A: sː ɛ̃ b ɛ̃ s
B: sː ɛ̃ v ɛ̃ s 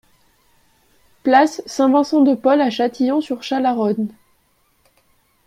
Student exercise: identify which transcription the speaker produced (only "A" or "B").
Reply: B